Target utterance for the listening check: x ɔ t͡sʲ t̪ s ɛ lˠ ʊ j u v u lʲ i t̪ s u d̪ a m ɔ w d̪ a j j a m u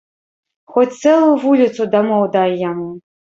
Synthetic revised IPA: x ɔ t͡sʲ t̪ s ɛ lˠ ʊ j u v u lʲ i t̪ s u d̪ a m ɔ w d̪ a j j a m u